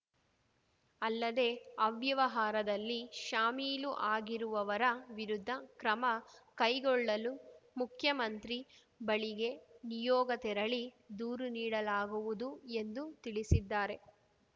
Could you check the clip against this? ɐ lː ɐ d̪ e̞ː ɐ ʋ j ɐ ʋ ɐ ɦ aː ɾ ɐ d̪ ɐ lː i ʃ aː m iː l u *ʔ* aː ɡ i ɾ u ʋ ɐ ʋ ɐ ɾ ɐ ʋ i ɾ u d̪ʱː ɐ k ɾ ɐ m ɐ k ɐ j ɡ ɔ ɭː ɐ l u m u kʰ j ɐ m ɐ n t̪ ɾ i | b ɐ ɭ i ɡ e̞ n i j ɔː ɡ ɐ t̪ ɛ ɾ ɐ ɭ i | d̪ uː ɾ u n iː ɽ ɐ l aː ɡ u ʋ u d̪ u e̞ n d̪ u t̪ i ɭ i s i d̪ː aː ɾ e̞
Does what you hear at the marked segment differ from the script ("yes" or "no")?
no